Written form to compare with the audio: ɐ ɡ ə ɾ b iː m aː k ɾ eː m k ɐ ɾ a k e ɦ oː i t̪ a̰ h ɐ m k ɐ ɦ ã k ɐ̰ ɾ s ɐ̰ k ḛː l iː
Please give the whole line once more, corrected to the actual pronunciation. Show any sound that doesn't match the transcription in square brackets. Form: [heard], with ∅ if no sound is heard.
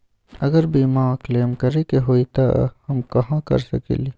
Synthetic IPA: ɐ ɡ ə ɾ b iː m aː k [l] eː m k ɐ ɾ [e] k e ɦ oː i t̪ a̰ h ɐ m k ɐ ɦ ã k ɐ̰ ɾ s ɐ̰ k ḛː l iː

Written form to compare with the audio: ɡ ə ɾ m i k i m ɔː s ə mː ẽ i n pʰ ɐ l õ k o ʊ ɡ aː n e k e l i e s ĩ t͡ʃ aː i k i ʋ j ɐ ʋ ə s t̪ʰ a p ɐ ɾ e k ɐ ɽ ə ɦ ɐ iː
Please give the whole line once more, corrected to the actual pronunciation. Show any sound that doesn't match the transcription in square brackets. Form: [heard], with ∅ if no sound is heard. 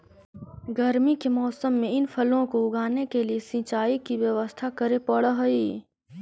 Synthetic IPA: ɡ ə ɾ m i k [e] m ɔː s ə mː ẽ [ɪ] n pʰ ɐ l õ k o ʊ ɡ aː n e k e l i e s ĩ t͡ʃ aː i k i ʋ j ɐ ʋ ə s t̪ʰ a [k] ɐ ɾ e [p] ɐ ɽ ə ɦ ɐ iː

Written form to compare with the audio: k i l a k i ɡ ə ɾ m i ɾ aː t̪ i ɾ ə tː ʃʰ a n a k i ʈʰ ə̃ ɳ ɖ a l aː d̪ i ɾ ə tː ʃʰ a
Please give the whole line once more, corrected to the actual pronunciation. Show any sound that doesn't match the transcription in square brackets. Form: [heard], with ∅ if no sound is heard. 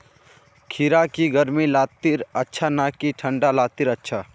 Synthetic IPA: [kʰ] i [ɾ] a k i ɡ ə ɾ m i [l] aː t̪ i ɾ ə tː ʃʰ a n a k i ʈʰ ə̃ ɳ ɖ a l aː [t̪] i ɾ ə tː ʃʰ a

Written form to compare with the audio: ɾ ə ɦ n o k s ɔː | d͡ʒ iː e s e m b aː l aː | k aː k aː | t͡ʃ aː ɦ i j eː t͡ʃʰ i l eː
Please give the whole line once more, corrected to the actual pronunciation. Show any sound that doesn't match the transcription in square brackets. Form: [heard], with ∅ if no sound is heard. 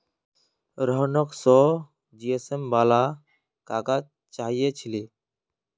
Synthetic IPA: ɾ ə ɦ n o k s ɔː | d͡ʒ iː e s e m b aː l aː | k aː k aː | t͡ʃ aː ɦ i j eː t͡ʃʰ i l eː

